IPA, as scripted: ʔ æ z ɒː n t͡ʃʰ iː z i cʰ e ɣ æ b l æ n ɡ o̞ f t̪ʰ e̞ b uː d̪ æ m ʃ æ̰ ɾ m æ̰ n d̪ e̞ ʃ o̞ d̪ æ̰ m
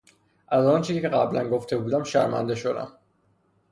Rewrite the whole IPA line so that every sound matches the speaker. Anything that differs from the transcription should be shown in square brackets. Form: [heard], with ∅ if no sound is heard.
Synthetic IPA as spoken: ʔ æ z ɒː n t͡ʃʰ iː z i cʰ e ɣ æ b l æ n ɡ o̞ f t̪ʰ e̞ b uː d̪ æ m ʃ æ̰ ɾ m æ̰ n d̪ e̞ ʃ o̞ d̪ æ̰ m